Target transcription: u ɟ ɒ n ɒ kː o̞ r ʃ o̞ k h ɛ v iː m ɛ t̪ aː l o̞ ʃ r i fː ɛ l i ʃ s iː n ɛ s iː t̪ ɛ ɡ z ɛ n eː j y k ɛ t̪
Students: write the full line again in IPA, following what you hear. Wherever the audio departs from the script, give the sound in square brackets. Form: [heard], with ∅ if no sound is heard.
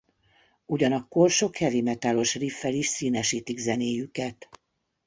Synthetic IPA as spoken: u ɟ ɒ n ɒ kː o̞ r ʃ o̞ k h ɛ v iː m ɛ t̪ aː l o̞ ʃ r i fː ɛ l i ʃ s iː n ɛ [ʃ] iː t̪ [i] ɡ z ɛ n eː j y k ɛ t̪